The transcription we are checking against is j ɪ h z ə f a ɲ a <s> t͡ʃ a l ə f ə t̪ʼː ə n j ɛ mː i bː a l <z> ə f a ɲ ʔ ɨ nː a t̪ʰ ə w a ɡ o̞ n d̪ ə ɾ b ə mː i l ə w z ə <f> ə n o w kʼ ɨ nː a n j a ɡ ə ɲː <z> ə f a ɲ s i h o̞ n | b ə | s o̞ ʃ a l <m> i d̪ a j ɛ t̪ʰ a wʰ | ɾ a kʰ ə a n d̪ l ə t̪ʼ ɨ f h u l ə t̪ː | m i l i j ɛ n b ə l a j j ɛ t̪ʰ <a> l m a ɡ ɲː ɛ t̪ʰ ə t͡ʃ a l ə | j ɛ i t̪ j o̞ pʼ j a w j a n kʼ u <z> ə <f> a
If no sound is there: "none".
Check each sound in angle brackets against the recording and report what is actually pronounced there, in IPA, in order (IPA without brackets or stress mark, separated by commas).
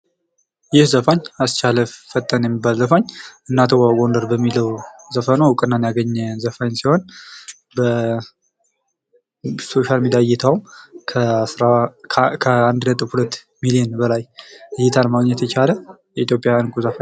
s, z, f, z, m, a, z, f